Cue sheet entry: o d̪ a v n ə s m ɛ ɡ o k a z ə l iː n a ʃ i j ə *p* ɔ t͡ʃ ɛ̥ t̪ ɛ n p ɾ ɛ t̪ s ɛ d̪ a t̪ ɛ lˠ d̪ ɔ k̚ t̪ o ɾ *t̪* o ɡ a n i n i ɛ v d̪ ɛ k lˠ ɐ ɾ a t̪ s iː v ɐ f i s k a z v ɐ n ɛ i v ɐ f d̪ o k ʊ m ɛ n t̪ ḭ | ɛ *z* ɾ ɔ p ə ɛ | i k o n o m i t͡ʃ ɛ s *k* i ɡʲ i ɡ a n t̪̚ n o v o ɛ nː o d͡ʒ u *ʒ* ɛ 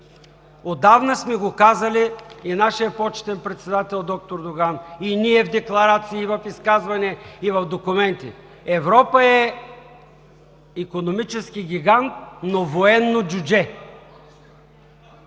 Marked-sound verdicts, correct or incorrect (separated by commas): correct, incorrect, incorrect, correct, incorrect